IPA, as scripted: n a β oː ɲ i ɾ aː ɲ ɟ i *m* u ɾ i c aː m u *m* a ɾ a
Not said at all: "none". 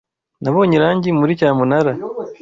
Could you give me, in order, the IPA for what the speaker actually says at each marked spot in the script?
m, n

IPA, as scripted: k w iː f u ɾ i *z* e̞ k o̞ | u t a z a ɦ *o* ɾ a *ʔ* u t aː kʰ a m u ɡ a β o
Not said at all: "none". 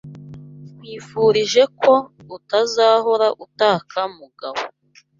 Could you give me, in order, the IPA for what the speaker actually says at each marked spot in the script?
ʒ, o, ʔ

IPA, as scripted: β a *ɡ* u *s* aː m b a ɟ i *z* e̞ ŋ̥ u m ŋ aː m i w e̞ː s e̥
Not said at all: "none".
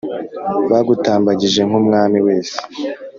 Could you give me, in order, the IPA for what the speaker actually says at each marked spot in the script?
ɡ, t, ʒ

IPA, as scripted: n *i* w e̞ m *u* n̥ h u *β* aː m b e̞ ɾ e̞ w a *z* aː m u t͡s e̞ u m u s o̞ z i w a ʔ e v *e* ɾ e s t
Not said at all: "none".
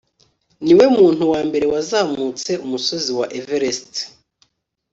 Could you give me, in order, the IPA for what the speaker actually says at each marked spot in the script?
i, uː, w, z, e

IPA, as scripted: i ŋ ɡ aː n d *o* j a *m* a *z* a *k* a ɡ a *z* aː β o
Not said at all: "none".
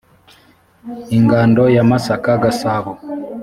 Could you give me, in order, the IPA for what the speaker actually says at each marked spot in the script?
o, m, s, k, s

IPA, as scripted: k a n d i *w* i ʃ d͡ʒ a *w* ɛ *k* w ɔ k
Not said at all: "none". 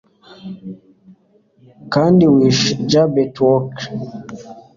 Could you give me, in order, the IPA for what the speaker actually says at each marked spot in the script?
w, b, t

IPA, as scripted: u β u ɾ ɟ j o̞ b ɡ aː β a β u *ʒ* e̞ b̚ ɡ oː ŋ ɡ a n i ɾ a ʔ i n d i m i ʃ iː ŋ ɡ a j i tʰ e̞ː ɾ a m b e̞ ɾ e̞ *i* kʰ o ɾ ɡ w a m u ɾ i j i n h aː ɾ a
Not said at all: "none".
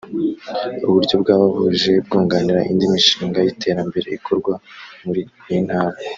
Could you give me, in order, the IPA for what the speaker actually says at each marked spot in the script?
ʒ, i

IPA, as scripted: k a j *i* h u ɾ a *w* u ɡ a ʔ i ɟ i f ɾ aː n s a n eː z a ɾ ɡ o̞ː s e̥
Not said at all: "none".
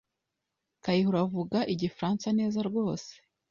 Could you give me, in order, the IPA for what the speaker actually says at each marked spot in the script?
i, v

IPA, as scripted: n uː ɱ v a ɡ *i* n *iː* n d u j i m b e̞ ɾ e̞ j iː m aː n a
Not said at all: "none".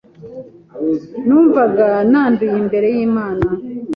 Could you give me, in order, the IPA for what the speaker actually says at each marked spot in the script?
a, aː

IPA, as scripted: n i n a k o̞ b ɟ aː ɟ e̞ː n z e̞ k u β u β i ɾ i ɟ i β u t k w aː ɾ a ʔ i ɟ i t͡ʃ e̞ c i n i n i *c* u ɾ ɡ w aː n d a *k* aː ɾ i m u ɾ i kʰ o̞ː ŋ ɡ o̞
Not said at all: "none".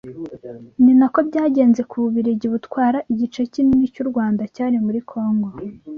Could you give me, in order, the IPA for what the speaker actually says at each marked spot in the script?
c, c

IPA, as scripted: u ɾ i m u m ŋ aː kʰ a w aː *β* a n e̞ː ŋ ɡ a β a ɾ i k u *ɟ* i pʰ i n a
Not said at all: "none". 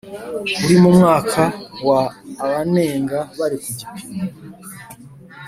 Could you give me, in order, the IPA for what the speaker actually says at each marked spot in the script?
β, ɟ

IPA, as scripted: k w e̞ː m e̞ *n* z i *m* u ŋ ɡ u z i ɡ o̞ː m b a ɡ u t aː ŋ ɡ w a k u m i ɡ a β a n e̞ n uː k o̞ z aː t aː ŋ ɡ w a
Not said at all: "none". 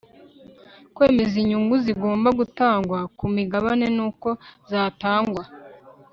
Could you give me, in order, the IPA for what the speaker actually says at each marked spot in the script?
none, ɲ

